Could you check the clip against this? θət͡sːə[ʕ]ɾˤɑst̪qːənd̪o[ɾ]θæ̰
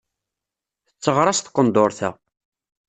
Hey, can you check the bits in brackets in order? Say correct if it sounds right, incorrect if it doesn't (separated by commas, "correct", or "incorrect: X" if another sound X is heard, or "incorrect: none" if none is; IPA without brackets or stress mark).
incorrect: ʁ, correct